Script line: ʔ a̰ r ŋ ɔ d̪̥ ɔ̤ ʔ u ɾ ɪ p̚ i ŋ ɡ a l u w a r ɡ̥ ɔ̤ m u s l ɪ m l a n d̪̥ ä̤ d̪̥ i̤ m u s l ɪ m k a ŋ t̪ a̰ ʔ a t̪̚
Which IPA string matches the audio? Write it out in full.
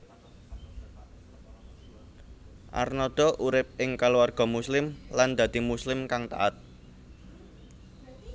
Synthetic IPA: ʔ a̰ r n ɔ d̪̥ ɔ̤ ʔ u ɾ ɪ p̚ ɪ ŋ k a l u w a r ɡ̥ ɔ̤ m u s l ɪ m l a n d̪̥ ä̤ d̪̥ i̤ m u s l ɪ m k a ŋ t̪ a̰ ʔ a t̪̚